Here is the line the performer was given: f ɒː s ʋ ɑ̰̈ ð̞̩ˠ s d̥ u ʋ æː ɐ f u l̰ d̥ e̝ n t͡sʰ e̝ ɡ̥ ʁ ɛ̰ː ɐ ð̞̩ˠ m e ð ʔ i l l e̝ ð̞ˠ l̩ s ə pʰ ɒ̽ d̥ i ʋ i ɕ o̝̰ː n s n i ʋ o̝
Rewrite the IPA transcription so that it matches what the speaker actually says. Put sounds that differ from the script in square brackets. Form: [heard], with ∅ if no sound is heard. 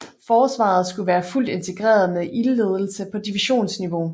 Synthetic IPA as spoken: f ɒː s ʋ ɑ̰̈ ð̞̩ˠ s [ɡ̥] u ʋ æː ɐ f u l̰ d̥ e̝ n t͡sʰ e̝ ɡ̥ ʁ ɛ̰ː ɐ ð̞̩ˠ m e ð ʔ i l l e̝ ð̞ˠ l̩ s ə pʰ ɒ̽ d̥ i ʋ i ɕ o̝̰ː n s n i ʋ o̝

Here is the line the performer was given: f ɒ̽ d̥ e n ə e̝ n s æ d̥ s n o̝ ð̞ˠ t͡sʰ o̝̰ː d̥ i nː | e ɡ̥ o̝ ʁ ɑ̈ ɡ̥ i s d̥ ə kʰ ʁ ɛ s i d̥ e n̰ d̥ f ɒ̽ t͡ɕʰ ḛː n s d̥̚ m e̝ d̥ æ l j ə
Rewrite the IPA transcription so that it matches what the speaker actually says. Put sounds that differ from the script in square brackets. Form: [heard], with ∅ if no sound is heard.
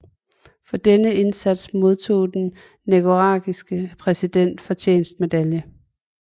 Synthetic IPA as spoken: f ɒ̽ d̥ e n ə e̝ n s æ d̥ s [m] o̝ ð̞ˠ t͡sʰ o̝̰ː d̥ [e] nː | e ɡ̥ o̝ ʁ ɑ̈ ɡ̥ i s [ɡ̥] ə [pʰ] ʁ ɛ s i d̥ e n̰ d̥ f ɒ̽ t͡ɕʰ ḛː n s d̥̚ m e̝ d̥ æ l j ə

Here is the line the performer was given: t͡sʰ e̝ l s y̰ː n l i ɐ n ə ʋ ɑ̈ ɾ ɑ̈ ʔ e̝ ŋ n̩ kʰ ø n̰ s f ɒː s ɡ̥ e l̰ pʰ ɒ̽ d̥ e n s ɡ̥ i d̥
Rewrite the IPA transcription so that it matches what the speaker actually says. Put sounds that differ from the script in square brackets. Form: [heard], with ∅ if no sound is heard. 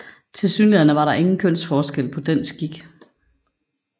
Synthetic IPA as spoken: t͡sʰ e̝ l s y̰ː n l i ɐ n ə ʋ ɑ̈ ɾ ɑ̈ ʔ e̝ ŋ n̩ kʰ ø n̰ s f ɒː s ɡ̥ e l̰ pʰ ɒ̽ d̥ e n s ɡ̥ i [ɡ̥]

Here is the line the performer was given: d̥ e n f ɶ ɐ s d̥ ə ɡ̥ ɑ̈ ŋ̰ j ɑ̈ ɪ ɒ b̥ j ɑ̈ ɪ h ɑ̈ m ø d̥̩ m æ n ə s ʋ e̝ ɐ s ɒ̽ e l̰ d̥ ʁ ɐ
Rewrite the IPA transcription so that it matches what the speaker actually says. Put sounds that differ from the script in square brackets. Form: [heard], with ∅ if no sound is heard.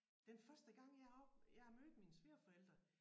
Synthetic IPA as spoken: d̥ e n f ɶ ɐ s d̥ ə ɡ̥ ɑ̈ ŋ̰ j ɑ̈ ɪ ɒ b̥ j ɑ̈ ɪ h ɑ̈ m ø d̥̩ m [i] n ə s ʋ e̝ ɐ [f] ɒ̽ e l̰ d̥ ʁ ɐ

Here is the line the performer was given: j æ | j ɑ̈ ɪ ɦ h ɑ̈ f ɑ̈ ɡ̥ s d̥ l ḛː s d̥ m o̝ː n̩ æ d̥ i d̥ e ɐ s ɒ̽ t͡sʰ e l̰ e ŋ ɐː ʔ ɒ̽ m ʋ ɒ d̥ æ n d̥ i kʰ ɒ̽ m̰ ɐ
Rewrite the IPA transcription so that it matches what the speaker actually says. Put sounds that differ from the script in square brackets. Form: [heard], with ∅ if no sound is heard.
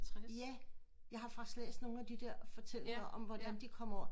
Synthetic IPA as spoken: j æ | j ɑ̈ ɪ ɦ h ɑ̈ f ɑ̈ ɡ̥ s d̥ l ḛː s d̥ [n] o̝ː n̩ æ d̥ i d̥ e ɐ [f] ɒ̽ t͡sʰ e l̰ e ŋ [ɐ] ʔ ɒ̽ m ʋ ɒ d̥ æ n d̥ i kʰ ɒ̽ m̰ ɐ

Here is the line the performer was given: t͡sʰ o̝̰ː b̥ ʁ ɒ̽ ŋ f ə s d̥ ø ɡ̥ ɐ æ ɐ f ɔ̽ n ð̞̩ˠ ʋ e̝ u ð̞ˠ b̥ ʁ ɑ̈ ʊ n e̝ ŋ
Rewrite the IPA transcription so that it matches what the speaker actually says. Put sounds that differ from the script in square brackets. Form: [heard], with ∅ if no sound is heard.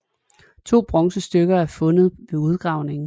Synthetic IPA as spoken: t͡sʰ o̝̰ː b̥ ʁ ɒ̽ ŋ [s] ə s d̥ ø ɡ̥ ɐ æ ɐ f ɔ̽ n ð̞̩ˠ ʋ e̝ u ð̞ˠ [ɡ̥] ʁ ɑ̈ ʊ n e̝ ŋ

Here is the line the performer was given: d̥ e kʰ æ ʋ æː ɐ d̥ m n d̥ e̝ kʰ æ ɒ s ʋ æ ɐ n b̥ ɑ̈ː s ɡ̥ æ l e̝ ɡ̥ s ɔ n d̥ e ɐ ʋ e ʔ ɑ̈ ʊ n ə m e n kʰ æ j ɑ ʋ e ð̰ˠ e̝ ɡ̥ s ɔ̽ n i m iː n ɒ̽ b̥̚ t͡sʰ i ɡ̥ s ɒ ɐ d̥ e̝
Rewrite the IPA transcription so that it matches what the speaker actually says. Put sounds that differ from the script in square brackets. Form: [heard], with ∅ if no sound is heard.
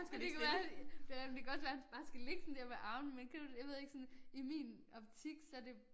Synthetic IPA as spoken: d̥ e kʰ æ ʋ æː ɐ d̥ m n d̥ e̝ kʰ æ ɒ s ʋ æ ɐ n b̥ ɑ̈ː s ɡ̥ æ l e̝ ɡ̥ s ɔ n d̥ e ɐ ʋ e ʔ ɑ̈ ʊ n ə m e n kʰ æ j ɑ ʋ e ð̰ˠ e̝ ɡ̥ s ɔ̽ n i m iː n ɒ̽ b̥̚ t͡sʰ i ɡ̥ s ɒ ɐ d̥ e̝

